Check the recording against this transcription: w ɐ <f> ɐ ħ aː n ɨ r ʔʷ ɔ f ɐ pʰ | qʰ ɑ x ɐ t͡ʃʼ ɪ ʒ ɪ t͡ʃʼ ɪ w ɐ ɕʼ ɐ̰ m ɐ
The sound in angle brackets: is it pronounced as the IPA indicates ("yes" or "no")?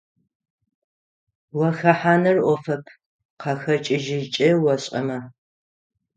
no